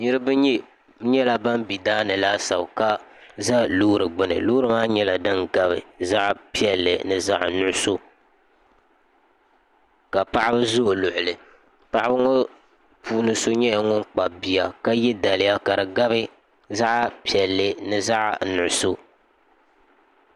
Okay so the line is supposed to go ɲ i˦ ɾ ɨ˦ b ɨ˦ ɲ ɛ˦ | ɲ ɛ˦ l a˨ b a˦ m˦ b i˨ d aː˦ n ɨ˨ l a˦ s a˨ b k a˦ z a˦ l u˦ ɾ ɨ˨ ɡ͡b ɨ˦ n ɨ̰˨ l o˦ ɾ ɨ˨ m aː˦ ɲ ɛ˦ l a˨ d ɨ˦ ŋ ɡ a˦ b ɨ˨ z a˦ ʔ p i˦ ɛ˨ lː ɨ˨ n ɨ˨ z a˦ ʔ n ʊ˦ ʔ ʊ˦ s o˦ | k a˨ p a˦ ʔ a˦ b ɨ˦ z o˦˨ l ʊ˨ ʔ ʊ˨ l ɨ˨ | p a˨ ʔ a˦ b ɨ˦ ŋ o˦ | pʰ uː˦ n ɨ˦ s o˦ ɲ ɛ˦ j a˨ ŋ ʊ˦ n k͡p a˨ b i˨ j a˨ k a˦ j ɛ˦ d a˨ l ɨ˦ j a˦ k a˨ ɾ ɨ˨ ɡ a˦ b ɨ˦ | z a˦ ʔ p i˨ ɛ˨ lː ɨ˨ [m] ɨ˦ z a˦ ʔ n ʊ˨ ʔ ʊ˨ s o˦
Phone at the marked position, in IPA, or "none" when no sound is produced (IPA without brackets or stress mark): n